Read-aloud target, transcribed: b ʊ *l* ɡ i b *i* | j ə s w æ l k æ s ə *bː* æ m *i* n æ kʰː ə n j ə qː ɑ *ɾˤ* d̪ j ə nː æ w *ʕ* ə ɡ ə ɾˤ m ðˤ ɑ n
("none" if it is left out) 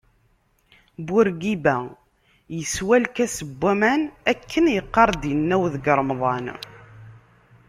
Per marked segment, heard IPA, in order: ɾ, æ, bː, æ, ɾˤ, ð

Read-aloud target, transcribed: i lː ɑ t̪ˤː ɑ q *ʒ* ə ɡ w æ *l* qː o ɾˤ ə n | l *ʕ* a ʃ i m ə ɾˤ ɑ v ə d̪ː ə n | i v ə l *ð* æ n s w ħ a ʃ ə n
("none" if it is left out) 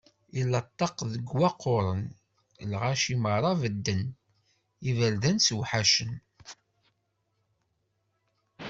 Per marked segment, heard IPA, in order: ð, none, ʁ, ð

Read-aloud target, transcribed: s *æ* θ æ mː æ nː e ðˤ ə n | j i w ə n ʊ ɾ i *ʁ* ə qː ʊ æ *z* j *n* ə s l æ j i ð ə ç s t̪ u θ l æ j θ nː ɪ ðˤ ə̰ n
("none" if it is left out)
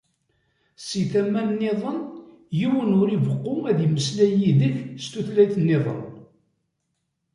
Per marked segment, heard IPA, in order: i, v, ð, m

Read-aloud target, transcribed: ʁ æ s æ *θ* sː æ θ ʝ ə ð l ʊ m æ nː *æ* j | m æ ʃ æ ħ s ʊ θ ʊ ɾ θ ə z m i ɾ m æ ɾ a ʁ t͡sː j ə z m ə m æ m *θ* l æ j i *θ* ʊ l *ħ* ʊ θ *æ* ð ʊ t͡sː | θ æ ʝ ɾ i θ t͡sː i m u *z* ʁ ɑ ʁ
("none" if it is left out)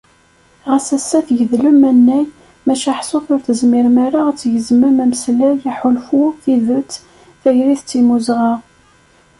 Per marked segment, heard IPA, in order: none, æ, s, ħ, f, i, z

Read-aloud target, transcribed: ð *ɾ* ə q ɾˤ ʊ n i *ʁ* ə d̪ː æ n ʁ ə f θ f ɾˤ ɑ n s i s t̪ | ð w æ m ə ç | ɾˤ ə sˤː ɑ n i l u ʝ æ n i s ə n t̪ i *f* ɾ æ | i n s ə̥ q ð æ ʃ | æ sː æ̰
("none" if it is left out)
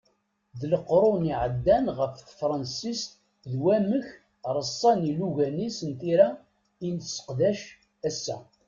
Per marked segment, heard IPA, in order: l, ʕ, none

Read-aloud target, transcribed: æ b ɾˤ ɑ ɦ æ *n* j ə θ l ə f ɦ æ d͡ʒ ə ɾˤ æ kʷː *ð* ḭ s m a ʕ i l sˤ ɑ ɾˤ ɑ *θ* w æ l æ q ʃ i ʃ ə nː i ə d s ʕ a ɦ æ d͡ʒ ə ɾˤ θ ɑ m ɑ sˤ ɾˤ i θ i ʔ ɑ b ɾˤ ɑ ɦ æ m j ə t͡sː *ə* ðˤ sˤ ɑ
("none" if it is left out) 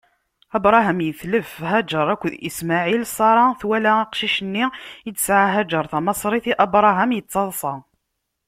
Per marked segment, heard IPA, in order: m, ð, θ, ɑ

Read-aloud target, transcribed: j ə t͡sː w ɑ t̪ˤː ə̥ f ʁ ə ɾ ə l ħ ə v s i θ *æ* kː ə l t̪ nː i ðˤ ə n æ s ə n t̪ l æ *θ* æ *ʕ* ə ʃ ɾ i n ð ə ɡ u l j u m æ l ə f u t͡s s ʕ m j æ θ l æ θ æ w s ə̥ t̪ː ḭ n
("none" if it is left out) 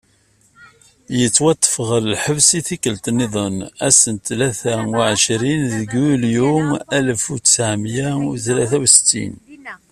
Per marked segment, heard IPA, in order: i, θ, ʕ

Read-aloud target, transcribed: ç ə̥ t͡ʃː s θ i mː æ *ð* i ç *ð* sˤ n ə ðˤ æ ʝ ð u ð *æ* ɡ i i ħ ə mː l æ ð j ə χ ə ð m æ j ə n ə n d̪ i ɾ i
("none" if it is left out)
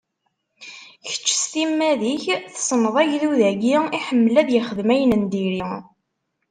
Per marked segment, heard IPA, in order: ð, θ, æ

